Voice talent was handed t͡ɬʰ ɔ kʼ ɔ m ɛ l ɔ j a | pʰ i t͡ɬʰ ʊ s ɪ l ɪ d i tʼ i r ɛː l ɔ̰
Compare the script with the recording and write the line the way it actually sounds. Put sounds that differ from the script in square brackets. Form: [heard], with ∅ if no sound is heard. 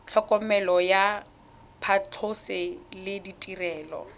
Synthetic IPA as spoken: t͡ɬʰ ɔ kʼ ɔ m ɛ l ɔ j a | pʰ [a] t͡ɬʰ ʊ s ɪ l ɪ d i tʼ i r ɛː l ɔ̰